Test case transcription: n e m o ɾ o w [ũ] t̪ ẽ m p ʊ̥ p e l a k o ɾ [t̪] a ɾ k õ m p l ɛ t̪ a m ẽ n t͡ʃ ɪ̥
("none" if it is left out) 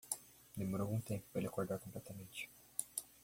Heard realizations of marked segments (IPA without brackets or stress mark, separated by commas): ũ, d̪